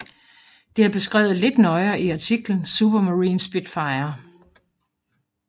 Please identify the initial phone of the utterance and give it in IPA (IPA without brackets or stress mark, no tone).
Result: d̥